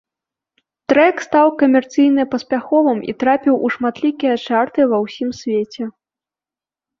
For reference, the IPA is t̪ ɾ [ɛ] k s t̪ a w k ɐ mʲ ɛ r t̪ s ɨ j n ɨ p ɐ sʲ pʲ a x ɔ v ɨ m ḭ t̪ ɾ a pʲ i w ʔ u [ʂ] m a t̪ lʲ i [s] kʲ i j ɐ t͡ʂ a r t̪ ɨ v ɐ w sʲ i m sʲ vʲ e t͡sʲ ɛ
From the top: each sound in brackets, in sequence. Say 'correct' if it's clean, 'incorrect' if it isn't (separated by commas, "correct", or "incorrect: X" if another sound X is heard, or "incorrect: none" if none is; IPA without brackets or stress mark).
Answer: correct, correct, incorrect: none